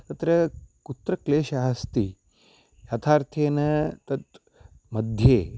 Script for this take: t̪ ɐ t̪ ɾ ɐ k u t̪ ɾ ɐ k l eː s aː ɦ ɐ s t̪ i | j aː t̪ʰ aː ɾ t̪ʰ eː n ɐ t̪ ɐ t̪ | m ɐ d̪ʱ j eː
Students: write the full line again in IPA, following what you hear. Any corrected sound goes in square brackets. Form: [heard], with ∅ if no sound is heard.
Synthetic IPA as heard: t̪ ɐ t̪ ɾ ɐ k u t̪ ɾ ɐ k l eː [ʃ] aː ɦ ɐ s t̪ i | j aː t̪ʰ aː ɾ t̪ʰ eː n ɐ t̪ ɐ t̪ | m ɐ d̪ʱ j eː